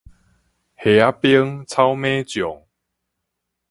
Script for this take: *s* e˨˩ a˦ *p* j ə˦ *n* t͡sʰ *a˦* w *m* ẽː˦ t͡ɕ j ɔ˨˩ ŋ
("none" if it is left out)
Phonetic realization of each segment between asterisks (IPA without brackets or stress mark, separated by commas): h, p, ŋ, a˦, m